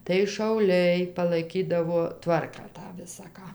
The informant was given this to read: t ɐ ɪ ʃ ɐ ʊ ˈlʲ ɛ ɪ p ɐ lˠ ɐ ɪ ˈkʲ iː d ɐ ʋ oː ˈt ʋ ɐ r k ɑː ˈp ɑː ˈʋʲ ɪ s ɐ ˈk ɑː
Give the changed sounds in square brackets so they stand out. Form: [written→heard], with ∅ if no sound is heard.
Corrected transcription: t ɐ ɪ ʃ ɐ ʊ ˈlʲ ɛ ɪ p ɐ lˠ ɐ ɪ ˈkʲ iː d ɐ ʋ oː ˈt ʋ ɐ r k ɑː [ˈp→ˈt] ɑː ˈʋʲ ɪ s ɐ ˈk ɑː